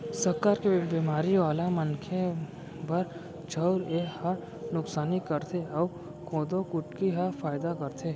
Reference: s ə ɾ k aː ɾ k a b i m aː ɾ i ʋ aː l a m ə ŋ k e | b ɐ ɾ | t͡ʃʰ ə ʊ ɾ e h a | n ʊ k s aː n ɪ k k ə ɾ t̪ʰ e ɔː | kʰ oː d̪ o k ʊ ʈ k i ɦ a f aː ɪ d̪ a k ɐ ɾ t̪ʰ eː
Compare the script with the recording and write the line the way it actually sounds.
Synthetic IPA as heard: s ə ɾ k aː ɾ k e b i m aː ɾ i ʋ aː l a m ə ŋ kʰ e | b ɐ ɾ | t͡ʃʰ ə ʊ ɾ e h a | n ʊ k s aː n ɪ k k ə ɾ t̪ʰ e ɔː | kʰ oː d̪ o k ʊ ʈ k i ɦ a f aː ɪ d̪ a k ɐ ɾ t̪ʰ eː